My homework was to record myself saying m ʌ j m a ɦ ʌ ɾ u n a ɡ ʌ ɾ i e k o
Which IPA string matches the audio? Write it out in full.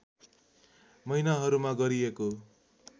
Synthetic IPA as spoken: m ʌ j n a ɦ ʌ ɾ u m a ɡ ʌ ɾ i e k o